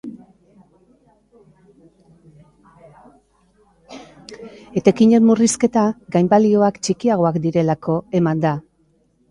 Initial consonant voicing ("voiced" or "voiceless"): voiceless